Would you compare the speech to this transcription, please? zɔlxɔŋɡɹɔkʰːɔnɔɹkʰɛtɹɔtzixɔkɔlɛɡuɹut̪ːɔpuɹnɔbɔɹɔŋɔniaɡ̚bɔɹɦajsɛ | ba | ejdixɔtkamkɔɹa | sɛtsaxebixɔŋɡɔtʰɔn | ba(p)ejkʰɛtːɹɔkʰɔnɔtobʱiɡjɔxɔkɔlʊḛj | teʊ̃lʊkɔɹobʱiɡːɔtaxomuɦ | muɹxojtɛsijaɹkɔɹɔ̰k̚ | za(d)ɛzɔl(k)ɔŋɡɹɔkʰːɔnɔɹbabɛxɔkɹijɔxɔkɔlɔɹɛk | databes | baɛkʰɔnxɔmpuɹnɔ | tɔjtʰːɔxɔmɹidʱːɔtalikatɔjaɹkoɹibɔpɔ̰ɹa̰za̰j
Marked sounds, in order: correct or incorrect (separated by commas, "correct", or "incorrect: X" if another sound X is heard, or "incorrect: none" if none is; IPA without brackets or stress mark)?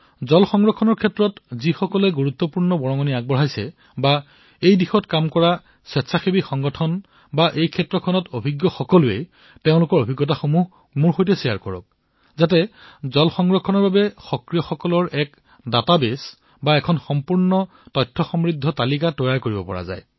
incorrect: ʔ, incorrect: t, incorrect: x